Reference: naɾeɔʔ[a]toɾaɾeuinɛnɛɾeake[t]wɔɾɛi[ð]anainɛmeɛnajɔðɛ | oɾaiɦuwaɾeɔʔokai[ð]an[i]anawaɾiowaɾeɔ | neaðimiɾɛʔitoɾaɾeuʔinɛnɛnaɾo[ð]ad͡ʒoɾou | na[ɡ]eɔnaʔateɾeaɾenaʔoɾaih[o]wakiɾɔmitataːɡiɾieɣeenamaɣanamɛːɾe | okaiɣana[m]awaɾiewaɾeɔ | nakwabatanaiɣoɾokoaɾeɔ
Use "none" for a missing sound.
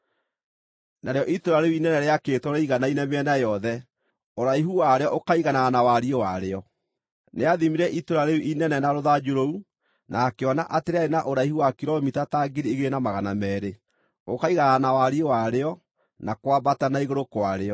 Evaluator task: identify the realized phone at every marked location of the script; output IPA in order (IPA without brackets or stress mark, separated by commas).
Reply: i, t, ɣ, ɣ, a, ð, k, u, n